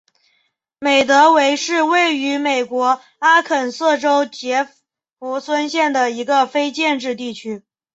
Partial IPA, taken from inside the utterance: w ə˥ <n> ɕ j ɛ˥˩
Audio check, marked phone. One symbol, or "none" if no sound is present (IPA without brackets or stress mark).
n